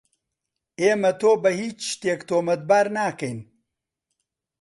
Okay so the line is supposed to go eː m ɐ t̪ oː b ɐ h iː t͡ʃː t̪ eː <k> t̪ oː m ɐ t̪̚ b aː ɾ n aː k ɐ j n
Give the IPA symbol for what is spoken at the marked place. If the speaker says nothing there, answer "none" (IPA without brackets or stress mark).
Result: k